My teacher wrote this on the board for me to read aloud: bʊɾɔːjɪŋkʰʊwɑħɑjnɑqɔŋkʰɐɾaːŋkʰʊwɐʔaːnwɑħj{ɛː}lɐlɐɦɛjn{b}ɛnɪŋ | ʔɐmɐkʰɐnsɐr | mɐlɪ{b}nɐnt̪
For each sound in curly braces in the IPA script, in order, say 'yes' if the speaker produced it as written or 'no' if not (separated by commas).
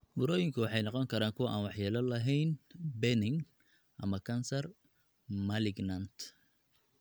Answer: no, yes, no